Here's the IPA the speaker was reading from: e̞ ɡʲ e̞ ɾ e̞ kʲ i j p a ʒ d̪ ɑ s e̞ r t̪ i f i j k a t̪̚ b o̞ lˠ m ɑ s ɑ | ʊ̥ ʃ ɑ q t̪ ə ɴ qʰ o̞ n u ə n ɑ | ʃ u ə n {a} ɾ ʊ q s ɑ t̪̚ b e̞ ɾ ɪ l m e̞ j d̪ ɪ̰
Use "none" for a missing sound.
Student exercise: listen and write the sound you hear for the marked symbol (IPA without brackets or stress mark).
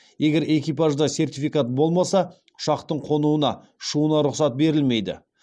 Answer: ɑ